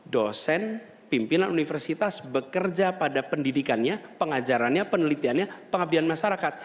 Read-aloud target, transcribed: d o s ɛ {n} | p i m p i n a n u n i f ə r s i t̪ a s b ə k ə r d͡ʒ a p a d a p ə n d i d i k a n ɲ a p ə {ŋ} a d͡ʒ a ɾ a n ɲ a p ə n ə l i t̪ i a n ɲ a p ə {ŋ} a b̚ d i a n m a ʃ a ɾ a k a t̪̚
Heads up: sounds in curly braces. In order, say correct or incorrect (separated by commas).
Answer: correct, correct, correct